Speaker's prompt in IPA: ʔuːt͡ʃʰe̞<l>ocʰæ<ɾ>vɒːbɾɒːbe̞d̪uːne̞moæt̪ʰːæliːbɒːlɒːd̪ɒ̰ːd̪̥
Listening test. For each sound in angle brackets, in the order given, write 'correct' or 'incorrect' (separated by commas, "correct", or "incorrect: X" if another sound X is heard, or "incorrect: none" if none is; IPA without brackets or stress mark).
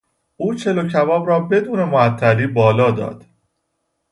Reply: correct, incorrect: none